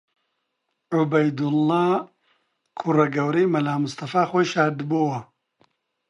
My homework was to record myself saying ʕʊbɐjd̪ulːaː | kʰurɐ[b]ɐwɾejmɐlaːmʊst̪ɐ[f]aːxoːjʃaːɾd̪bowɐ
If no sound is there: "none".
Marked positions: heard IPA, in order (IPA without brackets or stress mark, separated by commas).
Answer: ɡ, f